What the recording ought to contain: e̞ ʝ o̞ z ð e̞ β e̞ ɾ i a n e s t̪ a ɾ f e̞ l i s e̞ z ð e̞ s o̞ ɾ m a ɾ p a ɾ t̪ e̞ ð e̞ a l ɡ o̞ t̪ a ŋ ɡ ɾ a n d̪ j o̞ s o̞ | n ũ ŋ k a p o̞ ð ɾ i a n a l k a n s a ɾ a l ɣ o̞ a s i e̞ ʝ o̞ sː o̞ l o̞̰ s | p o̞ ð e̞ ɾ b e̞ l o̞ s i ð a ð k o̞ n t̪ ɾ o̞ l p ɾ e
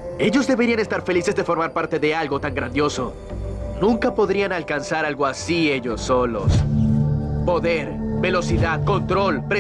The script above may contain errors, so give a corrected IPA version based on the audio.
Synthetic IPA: e̞ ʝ o̞ z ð e̞ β e̞ ɾ i a n e s t̪ a ɾ f e̞ l i s e̞ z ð e̞ f o̞ ɾ m a ɾ p a ɾ t̪ e̞ ð e̞ a l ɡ o̞ t̪ a ŋ ɡ ɾ a n d̪ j o̞ s o̞ | n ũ ŋ k a p o̞ ð ɾ i a n a l k a n s a ɾ a l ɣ o̞ a s i e̞ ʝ o̞ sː o̞ l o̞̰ s | p o̞ ð e̞ ɾ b e̞ l o̞ s i ð a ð k o̞ n t̪ ɾ o̞ l p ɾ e

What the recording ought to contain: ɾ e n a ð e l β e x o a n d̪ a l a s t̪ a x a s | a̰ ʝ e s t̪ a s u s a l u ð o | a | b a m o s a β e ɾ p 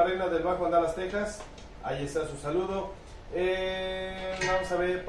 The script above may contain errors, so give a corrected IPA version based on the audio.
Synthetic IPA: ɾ e n a ð e l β a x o a n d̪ a l a s t̪ e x a s | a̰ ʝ e s t̪ a s u s a l u ð o | e | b a m o s a β e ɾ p

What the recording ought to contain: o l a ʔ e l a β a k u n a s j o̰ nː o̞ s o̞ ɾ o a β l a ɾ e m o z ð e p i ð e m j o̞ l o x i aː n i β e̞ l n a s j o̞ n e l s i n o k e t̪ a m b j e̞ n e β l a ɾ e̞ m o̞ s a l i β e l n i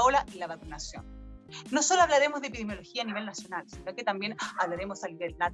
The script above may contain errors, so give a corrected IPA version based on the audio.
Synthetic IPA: o l a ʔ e l a β a k u n a s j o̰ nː o̞ s o̞ l o a β l a ɾ e m o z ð e p i ð e m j o̞ l o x i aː n i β e̞ l n a s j o̞ n a l s i n o k e t̪ a m b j e̞ n a β l a ɾ e̞ m o̞ s a l i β e l n a

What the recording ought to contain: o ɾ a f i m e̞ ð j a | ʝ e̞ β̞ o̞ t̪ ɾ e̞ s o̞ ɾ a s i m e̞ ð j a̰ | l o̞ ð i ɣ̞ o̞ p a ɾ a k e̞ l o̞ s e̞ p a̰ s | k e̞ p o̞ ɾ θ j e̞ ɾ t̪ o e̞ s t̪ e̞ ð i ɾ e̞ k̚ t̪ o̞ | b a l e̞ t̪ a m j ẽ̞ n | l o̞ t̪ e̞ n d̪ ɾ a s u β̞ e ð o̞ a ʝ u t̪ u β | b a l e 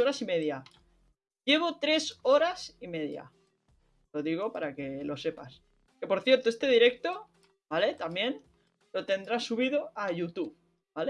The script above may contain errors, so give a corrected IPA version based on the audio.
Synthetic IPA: o ɾ a s i m e̞ ð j a | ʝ e̞ β̞ o̞ t̪ ɾ e̞ s o̞ ɾ a s i m e̞ ð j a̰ | l o̞ ð i ɣ̞ o̞ p a ɾ a k e̞ l o̞ s e̞ p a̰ s | k e̞ p o̞ ɾ θ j e̞ ɾ t̪ o e̞ s t̪ e̞ ð i ɾ e̞ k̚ t̪ o̞ | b a l e̞ t̪ a m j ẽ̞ n | l o̞ t̪ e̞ n d̪ ɾ a s u β̞ i ð o̞ a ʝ u t̪ u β | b a l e

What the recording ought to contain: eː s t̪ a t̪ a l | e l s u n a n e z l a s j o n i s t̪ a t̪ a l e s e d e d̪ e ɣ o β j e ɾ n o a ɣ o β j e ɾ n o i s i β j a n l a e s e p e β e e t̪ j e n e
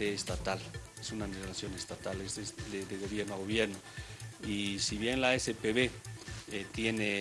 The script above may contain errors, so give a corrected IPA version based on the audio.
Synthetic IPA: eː s t̪ a t̪ a l | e s u n a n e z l a s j o n e s t̪ a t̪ a l e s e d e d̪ e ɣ o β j e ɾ n o a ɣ o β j e ɾ n o i s i β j e n l a e s e p e β e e t̪ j e n e

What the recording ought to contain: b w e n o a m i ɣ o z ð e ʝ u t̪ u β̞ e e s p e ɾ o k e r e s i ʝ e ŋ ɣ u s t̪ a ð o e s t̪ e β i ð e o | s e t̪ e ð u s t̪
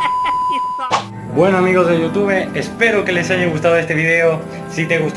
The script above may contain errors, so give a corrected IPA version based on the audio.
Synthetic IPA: b w e n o a m i ɣ o z ð e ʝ u t̪ u β̞ e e s p e ɾ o k e l e s a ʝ e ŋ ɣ u s t̪ a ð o e s t̪ e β i ð e o | s i t̪ e ɣ u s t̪

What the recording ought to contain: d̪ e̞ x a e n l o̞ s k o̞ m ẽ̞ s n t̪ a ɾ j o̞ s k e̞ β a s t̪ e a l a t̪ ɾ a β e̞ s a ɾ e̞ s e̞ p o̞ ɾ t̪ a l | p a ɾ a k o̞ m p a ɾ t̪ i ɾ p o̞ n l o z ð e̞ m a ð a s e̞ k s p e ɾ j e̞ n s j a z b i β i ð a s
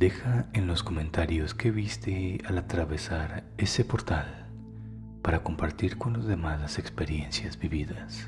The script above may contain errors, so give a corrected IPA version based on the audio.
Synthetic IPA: d̪ e̞ x a e n l o̞ s k o̞ m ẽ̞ n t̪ a ɾ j o̞ s k e̞ β i s t̪ e a l a t̪ ɾ a β e̞ s a ɾ e̞ s e̞ p o̞ ɾ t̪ a l | p a ɾ a k o̞ m p a ɾ t̪ i ɾ k o̞ n l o z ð e̞ m a ð a s e̞ k s p e ɾ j e̞ n s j a z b i β i ð a s

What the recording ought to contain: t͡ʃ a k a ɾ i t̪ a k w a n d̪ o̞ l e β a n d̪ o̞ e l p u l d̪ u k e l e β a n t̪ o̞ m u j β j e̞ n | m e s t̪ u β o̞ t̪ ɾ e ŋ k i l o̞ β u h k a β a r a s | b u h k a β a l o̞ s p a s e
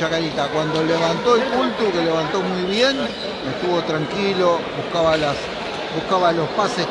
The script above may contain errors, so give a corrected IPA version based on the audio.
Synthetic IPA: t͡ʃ a k a ɾ i t̪ a k w a n d̪ o̞ l e β a n t̪ o̞ e l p u l t̪ u k e l e β a n t̪ o̞ m u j β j e̞ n | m e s t̪ u β o̞ t̪ ɾ a ŋ k i l o̞ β u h k a β a l a s | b u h k a β a l o̞ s p a s e

